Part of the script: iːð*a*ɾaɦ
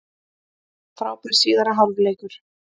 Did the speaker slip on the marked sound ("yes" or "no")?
no